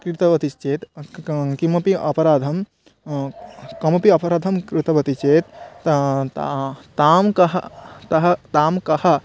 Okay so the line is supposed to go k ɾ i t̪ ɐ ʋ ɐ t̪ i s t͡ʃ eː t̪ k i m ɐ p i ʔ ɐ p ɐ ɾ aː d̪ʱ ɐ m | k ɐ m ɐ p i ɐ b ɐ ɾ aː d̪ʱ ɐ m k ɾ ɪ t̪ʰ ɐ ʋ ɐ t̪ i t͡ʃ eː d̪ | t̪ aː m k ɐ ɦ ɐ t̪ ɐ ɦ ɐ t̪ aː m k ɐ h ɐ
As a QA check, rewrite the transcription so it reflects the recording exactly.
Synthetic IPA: k ɾ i t̪ ɐ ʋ ɐ t̪ i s t͡ʃ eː t̪ k i m ɐ p i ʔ ɐ p ɐ ɾ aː d̪ʱ ɐ m | k ɐ m ɐ p i ɐ p ɐ ɾ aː d̪ʱ ɐ m k ɾ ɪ t̪ ɐ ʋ ɐ t̪ i t͡ʃ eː t̪ | t̪ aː m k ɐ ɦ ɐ t̪ ɐ ɦ ɐ t̪ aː m k ɐ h ɐ

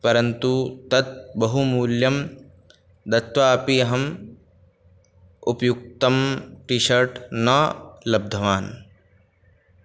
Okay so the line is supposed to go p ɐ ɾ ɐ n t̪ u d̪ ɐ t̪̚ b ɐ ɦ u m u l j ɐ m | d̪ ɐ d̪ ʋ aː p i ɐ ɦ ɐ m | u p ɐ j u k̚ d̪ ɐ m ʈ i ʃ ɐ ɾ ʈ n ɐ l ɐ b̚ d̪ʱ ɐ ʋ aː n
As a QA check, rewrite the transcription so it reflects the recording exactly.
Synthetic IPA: p ɐ ɾ ɐ n t̪ u t̪ ɐ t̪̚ b ɐ ɦ u m uː l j ɐ m | d̪ ɐ t̪ ʋ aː p i ɐ ɦ ɐ m | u p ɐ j u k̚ t̪ ɐ m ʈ i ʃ ɐ ɾ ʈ n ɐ l ɐ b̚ d̪ʱ ɐ ʋ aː n

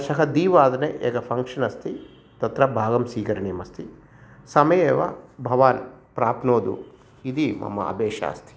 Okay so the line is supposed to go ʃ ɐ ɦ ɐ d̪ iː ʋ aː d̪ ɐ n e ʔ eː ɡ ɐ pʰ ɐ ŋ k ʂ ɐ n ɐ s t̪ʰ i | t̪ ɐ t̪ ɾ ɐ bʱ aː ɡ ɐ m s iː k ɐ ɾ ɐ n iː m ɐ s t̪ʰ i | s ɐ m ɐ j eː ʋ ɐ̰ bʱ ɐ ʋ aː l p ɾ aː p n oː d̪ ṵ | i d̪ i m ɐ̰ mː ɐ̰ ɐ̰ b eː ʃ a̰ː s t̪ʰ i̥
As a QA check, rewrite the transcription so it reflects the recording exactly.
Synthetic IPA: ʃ ɐ ɦ ɐ d̪ iː ʋ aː d̪ ɐ n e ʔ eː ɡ ɐ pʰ ɐ ŋ k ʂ ɐ n ɐ s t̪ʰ i | t̪ ɐ t̪ ɾ ɐ bʱ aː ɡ ɐ m s iː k ɐ ɾ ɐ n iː m ɐ s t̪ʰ i | s ɐ m ɐ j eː ʋ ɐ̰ bʱ ɐ ʋ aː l p ɾ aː p n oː d̪ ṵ | i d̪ i m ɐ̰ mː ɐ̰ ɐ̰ b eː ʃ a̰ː s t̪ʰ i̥

